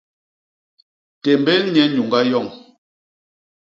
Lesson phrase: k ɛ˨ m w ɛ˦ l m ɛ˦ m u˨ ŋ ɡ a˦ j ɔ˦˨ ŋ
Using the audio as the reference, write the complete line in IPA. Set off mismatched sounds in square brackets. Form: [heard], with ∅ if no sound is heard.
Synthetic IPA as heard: [t] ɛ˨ m [b] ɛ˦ l [ɲ] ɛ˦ [ɲ] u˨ ŋ ɡ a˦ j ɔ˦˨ ŋ

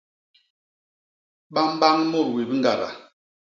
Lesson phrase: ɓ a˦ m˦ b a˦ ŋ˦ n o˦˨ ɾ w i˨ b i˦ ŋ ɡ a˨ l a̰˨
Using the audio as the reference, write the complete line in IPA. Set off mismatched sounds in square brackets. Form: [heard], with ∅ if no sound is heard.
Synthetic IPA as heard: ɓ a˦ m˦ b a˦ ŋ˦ [m] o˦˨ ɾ w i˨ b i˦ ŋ ɡ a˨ [ɾ] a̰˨

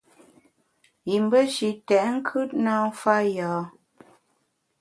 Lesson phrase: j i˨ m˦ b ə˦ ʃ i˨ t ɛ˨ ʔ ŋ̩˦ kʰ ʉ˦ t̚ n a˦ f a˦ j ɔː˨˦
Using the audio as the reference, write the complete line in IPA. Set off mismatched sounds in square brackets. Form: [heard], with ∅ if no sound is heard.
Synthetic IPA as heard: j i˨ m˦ b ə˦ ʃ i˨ t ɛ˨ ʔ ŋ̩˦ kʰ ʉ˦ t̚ n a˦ f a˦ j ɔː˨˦

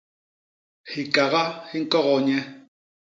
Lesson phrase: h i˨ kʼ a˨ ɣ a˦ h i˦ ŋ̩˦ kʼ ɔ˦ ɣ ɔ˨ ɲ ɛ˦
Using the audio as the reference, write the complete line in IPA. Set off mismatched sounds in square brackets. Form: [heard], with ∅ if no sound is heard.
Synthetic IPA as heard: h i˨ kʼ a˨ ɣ a˦ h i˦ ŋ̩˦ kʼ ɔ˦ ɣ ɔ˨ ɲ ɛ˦

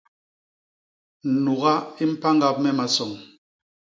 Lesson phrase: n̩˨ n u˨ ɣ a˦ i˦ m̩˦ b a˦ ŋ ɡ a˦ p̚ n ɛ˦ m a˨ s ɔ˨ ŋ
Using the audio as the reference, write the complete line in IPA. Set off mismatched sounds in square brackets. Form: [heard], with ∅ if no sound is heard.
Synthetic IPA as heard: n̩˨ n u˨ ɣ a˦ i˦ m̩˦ [p] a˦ ŋ ɡ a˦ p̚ [m] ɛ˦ m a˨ s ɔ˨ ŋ

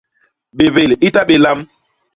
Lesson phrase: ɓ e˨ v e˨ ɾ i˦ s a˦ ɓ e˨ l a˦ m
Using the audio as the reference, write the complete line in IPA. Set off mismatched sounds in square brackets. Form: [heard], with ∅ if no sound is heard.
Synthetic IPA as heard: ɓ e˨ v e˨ [l] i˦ [t] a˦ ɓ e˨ l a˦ m

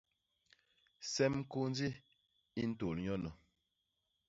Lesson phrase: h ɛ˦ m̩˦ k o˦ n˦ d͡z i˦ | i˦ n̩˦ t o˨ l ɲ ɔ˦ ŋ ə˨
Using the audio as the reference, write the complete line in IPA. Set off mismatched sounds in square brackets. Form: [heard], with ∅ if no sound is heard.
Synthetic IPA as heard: [s] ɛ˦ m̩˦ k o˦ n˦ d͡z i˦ | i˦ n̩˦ t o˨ l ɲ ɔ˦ [n] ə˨

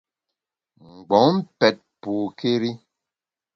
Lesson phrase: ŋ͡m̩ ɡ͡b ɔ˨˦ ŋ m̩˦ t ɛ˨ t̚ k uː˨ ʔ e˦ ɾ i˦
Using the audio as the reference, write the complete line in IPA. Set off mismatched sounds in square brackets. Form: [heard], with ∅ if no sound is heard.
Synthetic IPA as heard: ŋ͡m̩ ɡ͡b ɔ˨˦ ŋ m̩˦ [p] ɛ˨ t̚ [p] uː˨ [k] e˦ ɾ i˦

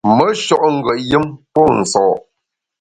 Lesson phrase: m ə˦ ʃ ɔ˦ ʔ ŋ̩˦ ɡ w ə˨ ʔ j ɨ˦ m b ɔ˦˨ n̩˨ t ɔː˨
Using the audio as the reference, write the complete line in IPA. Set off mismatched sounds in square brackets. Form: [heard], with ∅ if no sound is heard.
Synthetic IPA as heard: m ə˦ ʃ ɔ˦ ʔ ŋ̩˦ ɡ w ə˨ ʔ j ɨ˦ m [p] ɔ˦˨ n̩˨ [s] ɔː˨

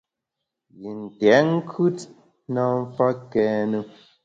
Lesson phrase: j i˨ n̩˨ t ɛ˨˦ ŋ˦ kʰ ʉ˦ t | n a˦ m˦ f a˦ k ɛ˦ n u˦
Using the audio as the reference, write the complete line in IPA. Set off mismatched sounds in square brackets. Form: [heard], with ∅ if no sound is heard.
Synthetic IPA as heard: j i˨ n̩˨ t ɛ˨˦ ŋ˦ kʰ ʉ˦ t | n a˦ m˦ f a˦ k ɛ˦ n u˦

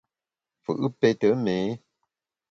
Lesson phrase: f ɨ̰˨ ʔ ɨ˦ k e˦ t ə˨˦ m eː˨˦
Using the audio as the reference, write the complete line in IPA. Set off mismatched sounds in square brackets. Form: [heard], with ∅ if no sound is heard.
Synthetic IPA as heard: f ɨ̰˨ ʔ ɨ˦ [p] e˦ t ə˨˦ m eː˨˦

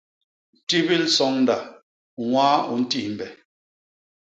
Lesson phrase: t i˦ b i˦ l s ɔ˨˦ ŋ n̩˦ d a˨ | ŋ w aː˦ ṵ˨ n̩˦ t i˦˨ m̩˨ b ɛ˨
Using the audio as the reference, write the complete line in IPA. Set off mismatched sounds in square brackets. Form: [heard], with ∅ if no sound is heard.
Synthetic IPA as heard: t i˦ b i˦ l s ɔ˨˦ ŋ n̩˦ d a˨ | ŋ w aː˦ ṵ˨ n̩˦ t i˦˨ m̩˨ b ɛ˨

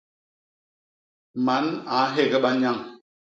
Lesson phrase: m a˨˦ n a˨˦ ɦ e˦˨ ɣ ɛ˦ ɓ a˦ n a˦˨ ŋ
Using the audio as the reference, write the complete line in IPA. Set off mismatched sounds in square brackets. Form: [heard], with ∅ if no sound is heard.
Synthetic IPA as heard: m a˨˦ n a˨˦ ɦ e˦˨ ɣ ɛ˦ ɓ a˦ [ɲ] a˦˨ ŋ

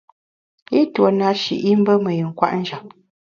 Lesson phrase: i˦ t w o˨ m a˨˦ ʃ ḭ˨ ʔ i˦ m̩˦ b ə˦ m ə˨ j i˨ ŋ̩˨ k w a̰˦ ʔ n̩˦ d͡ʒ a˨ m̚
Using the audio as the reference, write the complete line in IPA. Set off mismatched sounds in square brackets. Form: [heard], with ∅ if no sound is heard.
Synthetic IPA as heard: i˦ t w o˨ [n] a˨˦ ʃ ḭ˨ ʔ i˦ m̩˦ b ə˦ m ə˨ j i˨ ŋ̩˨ k w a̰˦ ʔ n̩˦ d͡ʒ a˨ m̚

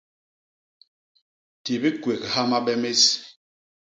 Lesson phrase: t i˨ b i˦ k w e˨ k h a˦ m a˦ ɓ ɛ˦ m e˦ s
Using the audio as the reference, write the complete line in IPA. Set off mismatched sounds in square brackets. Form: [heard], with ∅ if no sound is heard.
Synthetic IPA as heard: t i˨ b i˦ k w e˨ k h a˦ m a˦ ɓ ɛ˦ m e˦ s

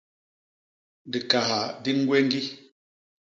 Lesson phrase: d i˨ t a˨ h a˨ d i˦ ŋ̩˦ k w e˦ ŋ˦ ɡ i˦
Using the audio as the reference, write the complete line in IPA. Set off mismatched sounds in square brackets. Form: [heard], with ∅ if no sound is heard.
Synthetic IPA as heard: d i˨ [k] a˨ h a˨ d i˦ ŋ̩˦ [ɡ] w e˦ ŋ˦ ɡ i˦

